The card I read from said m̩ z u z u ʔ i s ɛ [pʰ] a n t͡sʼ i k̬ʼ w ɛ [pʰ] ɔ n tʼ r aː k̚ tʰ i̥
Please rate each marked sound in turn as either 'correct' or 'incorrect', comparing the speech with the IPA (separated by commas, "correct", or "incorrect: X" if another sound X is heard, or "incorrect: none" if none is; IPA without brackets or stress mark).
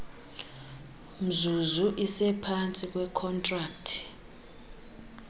correct, incorrect: kʰ